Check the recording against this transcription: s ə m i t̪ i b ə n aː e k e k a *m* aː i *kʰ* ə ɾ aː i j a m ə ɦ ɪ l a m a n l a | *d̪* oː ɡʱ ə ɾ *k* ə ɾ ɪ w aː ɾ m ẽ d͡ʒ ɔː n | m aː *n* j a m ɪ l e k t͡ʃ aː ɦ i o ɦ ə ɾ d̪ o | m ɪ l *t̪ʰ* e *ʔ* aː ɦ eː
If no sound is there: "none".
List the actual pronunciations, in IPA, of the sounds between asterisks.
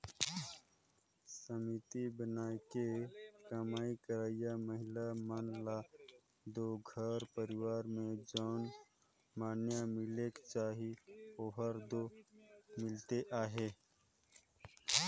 m, k, d̪, p, n, t̪, ʔ

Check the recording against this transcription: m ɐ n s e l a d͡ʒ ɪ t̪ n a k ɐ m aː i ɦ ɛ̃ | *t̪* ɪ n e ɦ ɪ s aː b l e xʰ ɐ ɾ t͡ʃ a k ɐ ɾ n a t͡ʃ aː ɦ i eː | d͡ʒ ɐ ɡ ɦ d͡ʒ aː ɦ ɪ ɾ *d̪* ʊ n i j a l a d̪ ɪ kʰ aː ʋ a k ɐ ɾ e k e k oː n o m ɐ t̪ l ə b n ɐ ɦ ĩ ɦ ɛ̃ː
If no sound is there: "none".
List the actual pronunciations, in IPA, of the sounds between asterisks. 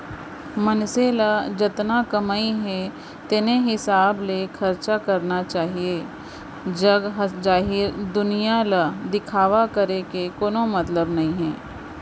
t̪, d̪

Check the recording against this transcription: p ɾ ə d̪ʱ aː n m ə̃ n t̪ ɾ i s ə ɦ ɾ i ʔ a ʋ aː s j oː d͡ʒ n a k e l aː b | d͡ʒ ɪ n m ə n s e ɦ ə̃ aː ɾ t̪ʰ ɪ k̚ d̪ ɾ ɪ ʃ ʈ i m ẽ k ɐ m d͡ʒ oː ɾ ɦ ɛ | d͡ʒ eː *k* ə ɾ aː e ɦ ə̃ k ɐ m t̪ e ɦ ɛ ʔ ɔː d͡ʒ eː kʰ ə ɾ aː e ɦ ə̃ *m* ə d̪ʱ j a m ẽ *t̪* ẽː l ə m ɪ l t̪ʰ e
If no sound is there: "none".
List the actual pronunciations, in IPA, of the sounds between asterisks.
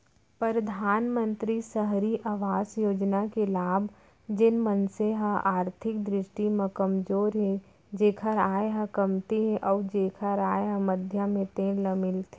kʰ, m, t̪

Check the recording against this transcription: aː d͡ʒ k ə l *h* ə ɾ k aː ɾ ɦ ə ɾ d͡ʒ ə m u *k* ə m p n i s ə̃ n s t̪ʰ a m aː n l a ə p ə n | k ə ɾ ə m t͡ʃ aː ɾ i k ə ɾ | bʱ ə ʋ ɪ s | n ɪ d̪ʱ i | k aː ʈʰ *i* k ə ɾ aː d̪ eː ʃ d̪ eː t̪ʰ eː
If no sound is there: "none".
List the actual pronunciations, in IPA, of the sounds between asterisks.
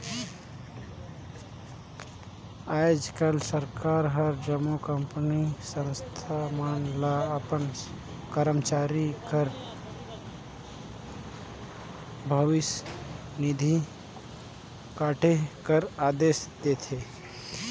s, k, e

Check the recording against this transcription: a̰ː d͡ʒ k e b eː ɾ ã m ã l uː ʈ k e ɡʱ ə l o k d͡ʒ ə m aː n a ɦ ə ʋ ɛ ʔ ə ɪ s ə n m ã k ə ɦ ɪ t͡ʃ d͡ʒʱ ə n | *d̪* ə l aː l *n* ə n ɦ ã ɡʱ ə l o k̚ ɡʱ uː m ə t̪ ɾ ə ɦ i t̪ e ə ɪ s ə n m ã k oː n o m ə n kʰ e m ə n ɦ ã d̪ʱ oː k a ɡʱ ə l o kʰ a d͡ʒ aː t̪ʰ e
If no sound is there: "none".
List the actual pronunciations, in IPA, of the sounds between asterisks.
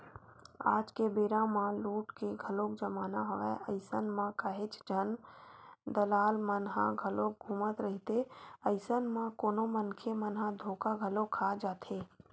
d̪, m

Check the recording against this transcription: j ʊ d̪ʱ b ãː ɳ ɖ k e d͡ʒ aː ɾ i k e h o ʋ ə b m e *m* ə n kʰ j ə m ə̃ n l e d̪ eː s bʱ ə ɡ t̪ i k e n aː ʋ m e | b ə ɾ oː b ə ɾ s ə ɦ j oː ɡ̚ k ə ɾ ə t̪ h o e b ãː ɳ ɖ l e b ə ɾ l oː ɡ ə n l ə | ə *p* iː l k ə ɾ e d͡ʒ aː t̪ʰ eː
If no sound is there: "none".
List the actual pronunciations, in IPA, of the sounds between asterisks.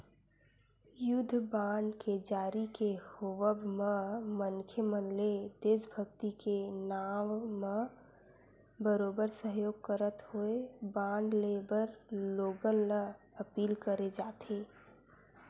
m, p

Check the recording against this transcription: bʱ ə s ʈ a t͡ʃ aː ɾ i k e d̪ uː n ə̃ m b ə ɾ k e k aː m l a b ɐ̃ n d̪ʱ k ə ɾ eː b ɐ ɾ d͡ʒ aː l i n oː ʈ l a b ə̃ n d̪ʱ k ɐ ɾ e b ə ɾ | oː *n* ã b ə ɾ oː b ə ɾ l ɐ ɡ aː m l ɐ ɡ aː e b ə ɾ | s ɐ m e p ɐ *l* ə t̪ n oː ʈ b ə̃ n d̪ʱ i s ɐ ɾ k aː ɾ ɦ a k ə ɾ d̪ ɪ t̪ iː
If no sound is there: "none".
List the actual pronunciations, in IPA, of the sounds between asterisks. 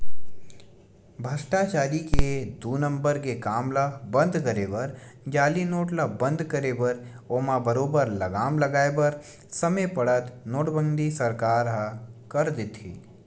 m, ɽ

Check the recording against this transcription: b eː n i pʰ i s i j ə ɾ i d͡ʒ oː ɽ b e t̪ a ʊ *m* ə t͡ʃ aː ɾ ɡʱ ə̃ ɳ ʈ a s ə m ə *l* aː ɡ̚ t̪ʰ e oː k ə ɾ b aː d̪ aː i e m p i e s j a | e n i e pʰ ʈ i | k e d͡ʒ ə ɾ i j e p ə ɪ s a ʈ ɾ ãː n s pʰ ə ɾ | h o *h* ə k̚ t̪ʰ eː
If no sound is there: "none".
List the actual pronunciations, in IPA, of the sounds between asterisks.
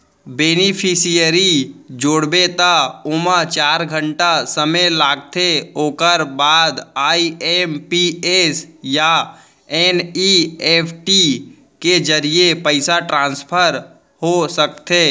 m, l, s

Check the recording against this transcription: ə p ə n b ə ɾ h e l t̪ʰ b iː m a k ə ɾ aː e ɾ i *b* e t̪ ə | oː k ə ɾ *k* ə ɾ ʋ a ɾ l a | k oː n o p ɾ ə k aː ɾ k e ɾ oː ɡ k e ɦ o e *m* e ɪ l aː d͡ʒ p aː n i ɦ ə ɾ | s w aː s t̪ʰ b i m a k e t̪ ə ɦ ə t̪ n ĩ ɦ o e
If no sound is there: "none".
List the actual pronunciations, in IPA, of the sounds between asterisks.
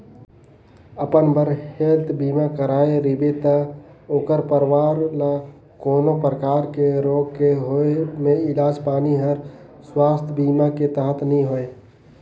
b, p, m

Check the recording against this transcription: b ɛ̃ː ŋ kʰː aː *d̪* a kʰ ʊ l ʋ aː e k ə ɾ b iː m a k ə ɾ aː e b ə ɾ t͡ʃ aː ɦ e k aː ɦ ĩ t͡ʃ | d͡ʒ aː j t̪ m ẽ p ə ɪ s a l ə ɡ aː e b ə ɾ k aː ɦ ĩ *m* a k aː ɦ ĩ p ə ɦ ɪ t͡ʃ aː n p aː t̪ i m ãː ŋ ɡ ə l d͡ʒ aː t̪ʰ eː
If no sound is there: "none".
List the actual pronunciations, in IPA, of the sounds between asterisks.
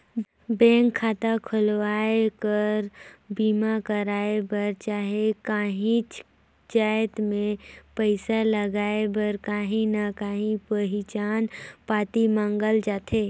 t̪, n

